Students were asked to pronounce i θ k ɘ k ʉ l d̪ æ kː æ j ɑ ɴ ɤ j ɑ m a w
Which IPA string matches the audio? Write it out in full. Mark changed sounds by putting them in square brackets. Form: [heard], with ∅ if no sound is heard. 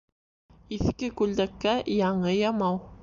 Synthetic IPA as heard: i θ k ɘ k ʉ l d̪ æ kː æ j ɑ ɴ ɤ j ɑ m [ɑ] w